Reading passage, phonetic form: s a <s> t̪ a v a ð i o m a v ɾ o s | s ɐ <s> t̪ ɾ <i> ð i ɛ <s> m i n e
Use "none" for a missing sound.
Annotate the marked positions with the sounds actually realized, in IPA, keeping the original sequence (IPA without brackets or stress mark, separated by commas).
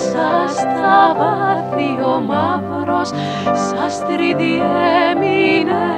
s, s, i, none